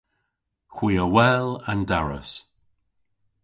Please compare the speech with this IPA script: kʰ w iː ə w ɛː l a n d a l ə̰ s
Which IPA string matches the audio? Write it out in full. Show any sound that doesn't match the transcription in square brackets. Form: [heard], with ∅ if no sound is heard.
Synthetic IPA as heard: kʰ w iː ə w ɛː l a n d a [ɹ] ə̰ s